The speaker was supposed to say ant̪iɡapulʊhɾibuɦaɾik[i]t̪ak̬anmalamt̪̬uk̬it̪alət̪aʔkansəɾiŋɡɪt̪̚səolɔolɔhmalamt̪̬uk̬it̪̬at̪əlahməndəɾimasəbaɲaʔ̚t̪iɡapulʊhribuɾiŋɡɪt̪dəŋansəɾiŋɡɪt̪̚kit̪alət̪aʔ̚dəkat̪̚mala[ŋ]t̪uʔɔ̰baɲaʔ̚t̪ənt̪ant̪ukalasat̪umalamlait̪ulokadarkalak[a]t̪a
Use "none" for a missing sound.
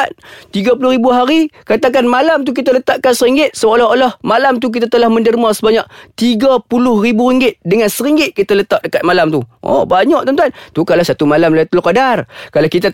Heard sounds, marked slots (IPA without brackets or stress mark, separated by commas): a, m, i